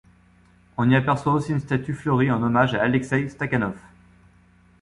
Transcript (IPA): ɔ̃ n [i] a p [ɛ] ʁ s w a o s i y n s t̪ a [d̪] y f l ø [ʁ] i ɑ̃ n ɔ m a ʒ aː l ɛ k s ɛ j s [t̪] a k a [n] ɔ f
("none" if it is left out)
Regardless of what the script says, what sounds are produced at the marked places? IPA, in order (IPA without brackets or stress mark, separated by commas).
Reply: i, ɛ, t̪, ʁ, t̪, n